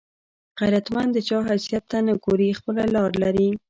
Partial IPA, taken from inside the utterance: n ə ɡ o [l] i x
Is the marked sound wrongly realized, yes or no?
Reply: yes